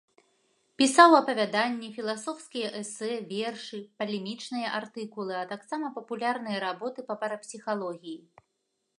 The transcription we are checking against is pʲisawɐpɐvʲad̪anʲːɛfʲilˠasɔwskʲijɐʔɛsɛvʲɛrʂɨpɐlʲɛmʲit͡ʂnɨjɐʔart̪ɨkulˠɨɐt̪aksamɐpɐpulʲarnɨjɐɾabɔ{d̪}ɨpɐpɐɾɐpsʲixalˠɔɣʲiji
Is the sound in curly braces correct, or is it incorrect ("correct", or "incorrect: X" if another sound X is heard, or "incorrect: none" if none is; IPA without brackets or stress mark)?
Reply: incorrect: t̪